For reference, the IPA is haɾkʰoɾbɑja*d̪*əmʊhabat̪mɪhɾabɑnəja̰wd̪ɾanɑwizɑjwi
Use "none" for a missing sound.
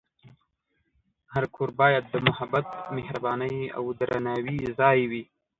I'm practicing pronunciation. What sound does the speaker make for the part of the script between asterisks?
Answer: d̪ː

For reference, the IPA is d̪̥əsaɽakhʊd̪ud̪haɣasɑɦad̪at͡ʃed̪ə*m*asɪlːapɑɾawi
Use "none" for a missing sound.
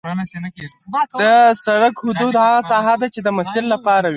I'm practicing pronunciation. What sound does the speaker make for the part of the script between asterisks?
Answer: m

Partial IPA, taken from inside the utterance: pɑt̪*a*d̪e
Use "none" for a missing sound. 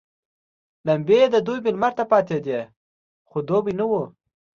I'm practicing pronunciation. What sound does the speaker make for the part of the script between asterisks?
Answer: e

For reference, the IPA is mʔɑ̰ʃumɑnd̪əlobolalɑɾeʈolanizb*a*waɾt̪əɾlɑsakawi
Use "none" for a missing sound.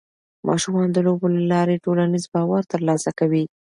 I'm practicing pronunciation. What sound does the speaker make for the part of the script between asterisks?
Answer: ɑ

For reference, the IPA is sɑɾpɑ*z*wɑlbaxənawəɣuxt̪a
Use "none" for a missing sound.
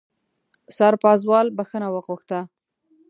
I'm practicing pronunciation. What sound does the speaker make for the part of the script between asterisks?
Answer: z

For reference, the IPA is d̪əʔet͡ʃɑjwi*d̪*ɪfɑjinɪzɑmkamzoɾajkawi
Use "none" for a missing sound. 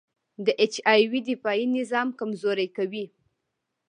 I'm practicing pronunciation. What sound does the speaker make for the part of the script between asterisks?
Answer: d̪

